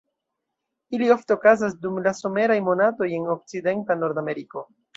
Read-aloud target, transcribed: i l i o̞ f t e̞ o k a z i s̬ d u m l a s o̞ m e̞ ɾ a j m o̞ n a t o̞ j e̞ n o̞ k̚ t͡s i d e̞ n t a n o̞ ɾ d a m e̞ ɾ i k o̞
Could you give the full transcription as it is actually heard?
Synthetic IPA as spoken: i l i o̞ f t e̞ o k a z a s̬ d u m l a s o̞ m e̞ ɾ a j m o̞ n a t o̞ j e̞ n o̞ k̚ t͡s i d e̞ n t a n o̞ ɾ d a m e̞ ɾ i k o̞